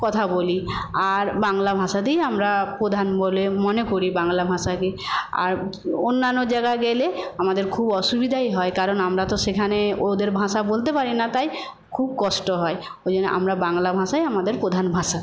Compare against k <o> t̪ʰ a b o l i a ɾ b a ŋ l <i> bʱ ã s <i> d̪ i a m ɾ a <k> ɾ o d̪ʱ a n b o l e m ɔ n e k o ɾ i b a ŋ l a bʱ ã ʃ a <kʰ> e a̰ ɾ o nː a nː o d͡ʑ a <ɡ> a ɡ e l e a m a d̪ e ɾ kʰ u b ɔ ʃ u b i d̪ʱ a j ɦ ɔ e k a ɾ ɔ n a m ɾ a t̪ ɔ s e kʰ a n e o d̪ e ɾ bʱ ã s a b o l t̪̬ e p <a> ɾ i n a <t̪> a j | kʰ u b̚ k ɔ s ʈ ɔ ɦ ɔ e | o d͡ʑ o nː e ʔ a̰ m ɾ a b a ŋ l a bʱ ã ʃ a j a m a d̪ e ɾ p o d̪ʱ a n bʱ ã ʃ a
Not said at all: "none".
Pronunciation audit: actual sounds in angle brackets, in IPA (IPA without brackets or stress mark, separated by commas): ɔ, a, a, p, k, ɡ, a, t̪